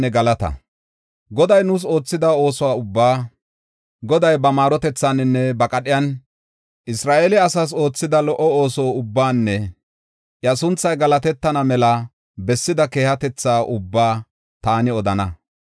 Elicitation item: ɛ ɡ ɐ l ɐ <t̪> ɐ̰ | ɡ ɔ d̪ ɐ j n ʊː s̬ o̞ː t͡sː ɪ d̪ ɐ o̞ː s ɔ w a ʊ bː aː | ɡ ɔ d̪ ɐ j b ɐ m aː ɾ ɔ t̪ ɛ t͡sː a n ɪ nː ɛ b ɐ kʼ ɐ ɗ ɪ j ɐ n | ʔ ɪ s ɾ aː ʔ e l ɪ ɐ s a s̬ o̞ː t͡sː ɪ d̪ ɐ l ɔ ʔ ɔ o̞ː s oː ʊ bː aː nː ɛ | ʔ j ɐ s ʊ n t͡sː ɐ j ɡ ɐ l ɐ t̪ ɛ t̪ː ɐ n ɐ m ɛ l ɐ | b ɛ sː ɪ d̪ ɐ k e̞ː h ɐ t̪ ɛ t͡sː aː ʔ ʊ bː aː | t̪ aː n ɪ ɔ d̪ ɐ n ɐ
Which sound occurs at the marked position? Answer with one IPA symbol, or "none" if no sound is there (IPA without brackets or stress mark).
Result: t̪